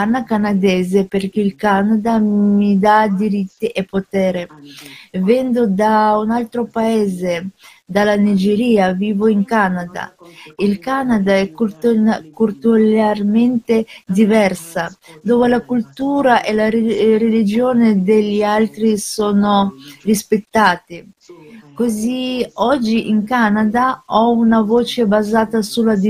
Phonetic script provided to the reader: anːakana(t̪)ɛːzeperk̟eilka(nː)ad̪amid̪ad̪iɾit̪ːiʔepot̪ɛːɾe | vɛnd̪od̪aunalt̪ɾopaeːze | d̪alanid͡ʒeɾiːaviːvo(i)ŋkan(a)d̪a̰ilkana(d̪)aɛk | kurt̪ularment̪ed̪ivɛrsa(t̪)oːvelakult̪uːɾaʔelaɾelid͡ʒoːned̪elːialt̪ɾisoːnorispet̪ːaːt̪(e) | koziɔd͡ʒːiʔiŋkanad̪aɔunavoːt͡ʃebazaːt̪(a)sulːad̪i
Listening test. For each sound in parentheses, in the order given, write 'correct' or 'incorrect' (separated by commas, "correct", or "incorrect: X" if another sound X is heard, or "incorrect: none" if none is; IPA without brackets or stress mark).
incorrect: d̪, incorrect: n, correct, correct, correct, incorrect: d̪, incorrect: i, correct